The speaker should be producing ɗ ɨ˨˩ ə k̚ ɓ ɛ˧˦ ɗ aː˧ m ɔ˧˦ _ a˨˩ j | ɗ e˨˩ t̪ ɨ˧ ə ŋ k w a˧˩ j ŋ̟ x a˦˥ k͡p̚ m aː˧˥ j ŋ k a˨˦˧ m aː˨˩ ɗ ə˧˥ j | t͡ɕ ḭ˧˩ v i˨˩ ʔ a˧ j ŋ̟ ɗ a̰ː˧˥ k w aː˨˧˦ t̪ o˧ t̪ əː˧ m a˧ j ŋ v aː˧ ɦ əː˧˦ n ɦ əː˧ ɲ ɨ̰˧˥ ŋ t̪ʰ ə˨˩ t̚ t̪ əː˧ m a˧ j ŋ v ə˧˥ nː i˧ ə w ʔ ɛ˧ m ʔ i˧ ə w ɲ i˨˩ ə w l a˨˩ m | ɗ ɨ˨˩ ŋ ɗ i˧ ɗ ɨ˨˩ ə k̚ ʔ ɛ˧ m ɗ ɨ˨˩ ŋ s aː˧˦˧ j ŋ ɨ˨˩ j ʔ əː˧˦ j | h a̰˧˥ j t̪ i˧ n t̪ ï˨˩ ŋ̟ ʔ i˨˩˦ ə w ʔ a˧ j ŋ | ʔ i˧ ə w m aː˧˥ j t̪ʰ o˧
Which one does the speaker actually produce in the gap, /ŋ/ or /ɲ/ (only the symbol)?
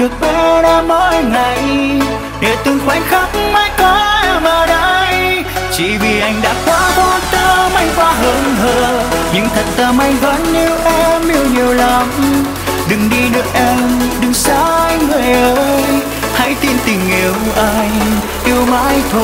ŋ